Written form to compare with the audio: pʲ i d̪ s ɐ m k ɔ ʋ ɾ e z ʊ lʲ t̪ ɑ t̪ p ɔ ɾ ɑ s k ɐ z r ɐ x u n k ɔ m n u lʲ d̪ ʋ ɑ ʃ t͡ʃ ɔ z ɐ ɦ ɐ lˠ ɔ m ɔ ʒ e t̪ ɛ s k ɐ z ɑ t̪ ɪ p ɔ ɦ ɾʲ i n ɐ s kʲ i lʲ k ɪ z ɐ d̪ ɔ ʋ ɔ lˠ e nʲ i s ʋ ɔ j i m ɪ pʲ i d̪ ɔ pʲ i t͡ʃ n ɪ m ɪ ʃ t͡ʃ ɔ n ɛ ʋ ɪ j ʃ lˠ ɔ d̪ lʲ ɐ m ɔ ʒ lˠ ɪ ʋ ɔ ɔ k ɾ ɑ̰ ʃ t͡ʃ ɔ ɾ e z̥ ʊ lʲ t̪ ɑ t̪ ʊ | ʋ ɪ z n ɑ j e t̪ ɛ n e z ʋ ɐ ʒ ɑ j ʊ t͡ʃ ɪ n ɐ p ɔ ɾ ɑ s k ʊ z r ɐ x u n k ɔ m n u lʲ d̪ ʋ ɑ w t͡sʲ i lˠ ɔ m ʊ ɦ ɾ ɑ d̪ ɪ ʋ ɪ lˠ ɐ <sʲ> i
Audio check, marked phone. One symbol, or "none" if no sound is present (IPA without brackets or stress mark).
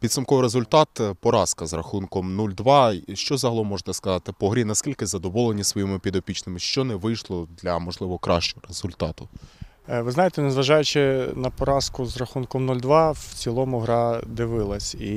sʲ